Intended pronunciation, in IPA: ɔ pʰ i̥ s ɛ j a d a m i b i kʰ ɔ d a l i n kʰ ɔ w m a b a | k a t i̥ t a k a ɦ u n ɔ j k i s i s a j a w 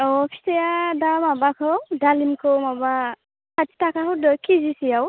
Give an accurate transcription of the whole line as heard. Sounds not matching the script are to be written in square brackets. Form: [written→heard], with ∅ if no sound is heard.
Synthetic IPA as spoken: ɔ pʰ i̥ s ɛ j a d a m [i→a] b [i→a] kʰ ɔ d a l i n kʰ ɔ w m a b a | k a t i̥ t a k a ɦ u [n→d] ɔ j k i [s→z] i s [a→i] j a w